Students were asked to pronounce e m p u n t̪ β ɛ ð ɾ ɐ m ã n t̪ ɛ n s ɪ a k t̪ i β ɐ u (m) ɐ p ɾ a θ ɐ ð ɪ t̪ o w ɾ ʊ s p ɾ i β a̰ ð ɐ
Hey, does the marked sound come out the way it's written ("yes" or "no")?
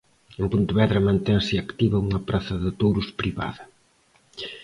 no